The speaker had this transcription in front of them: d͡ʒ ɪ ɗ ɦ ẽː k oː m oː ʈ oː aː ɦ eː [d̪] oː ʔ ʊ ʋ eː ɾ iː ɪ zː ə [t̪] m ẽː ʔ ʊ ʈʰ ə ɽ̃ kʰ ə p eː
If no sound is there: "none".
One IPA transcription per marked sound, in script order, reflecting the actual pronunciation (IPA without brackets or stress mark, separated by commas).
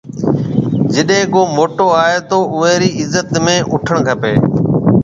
t̪, t̪